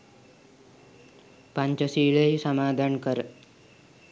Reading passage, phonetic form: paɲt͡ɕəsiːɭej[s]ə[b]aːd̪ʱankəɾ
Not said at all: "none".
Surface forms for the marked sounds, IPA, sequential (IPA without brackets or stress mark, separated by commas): s, m